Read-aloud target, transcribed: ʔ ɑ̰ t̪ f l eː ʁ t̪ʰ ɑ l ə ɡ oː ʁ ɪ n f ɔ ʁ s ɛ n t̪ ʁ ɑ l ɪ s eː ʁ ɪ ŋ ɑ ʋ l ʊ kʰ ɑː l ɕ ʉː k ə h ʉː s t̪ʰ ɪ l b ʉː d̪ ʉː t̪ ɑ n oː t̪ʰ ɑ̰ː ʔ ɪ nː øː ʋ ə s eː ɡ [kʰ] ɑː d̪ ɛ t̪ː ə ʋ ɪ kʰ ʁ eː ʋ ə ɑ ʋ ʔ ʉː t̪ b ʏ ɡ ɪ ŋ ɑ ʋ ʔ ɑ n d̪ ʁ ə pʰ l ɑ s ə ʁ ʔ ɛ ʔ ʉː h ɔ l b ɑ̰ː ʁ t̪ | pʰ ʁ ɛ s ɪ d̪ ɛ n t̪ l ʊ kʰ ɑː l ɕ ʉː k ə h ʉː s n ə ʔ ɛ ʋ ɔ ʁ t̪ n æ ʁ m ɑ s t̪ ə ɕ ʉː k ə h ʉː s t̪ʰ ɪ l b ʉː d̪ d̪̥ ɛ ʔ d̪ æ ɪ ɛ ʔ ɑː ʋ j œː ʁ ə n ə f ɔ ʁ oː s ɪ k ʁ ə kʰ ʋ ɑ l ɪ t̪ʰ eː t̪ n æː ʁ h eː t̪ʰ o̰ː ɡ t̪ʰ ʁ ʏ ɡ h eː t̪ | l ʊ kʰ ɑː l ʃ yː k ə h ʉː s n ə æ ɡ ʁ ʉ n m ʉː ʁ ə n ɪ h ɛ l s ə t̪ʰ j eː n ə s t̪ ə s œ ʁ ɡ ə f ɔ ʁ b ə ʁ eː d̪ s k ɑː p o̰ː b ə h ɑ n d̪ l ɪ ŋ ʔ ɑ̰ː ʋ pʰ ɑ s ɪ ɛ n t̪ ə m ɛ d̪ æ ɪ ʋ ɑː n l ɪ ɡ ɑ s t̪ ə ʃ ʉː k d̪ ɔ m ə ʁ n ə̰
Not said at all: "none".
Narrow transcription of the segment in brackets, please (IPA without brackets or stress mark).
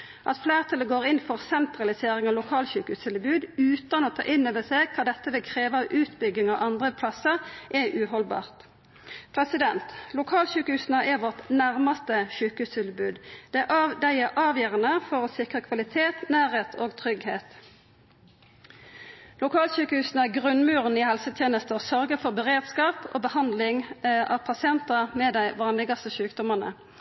kʰ